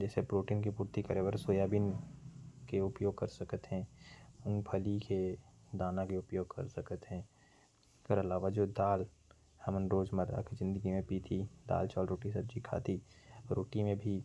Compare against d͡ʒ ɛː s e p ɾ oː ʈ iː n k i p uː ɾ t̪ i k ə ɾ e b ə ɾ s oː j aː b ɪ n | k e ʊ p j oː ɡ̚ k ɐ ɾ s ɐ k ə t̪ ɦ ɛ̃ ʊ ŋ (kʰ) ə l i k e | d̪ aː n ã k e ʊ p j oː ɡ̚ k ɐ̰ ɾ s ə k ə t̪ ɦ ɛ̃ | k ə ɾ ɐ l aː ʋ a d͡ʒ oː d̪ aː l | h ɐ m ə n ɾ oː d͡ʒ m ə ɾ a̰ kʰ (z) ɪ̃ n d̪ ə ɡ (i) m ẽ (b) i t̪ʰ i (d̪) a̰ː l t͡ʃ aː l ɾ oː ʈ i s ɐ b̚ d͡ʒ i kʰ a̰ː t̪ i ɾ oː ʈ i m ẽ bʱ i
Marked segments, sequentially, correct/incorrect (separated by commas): incorrect, correct, correct, incorrect, correct